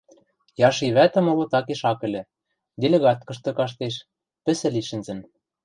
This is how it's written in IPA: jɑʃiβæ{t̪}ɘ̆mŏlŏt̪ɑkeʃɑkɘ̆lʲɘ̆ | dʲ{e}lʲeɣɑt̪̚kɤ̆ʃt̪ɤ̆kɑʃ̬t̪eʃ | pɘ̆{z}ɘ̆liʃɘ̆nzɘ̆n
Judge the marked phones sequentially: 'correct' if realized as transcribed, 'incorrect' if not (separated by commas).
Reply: correct, correct, incorrect